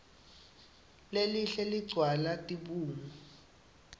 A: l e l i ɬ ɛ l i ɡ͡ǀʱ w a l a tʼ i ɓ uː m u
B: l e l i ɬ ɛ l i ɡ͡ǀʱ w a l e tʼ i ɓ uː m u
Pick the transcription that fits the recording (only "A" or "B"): A